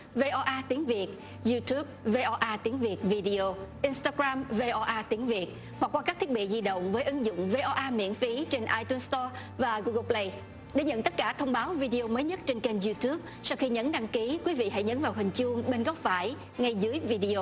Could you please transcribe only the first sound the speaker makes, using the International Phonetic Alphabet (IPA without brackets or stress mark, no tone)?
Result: v